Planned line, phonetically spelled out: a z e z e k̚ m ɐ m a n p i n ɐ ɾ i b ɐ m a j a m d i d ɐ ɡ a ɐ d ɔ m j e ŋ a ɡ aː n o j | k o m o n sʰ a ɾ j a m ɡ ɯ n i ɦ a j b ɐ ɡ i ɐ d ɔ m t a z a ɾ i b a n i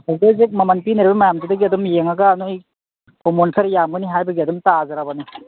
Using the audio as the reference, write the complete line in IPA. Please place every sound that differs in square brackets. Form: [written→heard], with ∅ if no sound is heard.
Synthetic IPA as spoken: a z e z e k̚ m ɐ m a n p i n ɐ ɾ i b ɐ m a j a m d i d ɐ ɡ [a→i] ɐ d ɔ m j e ŋ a ɡ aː n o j | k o m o n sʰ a ɾ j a m ɡ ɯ n i ɦ a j b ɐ ɡ i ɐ d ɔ m t a z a ɾ [i→a] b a n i